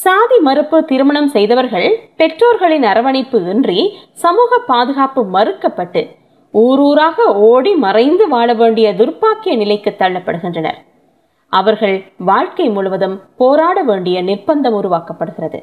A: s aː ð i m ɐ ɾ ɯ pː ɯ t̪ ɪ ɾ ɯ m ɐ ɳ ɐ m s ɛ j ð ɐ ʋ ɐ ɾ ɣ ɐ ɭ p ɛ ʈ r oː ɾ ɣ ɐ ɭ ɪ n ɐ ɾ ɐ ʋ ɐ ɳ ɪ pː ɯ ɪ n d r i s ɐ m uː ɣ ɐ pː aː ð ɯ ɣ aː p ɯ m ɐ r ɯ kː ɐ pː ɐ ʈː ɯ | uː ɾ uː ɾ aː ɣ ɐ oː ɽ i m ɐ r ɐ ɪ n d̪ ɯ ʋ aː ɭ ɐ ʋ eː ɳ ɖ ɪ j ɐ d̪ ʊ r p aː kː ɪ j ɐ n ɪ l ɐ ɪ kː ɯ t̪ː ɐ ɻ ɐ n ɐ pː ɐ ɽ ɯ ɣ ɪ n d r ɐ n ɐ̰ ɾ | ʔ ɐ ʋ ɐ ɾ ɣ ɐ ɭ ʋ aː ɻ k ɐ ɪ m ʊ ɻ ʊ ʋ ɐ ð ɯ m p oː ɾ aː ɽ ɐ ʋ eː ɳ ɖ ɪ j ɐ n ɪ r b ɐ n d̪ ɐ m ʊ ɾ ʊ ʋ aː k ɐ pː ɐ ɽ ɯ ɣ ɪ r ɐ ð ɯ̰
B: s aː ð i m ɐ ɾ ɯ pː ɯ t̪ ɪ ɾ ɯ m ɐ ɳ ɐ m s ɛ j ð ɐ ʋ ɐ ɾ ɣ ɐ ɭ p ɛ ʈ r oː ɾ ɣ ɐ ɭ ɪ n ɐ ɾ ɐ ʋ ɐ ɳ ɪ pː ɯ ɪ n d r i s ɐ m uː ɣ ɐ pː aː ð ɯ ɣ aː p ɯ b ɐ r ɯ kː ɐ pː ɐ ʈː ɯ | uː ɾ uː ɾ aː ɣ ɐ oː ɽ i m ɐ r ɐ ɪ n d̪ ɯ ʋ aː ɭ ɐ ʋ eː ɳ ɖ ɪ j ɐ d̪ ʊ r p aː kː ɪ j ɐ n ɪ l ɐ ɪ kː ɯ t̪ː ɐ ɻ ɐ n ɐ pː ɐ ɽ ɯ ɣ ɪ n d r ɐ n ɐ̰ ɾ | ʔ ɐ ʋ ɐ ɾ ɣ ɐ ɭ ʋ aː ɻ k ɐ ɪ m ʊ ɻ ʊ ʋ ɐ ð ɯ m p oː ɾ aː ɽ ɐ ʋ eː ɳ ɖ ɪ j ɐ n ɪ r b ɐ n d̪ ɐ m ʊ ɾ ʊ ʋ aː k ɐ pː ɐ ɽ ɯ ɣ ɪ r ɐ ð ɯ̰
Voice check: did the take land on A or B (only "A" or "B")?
A